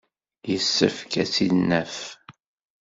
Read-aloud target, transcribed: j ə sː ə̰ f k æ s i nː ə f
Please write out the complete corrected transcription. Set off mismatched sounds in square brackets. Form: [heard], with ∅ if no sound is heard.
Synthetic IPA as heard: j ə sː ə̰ f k æ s i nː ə f